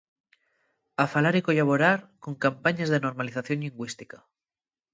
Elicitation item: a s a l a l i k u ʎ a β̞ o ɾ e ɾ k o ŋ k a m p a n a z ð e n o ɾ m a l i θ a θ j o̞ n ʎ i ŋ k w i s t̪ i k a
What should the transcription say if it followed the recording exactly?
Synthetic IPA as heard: a f a l a ɾ i k o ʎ a β̞ o ɾ a ɾ k o ŋ k a m p a ɲ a z ð e n o ɾ m a l i θ a θ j o̞ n ʎ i ŋ ɡ w i s t̪ i k a